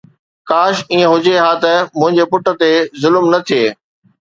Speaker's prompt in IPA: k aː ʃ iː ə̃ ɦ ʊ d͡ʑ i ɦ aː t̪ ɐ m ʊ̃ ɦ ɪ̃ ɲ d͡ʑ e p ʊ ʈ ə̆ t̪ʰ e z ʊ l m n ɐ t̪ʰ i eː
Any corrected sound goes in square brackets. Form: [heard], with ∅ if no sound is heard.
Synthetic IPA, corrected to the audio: k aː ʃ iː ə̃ ɦ ʊ d͡ʑ [e] ɦ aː t̪ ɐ m ʊ̃ ɦ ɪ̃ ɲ d͡ʑ e p ʊ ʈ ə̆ [t̪] e z ʊ l m n ɐ t̪ʰ i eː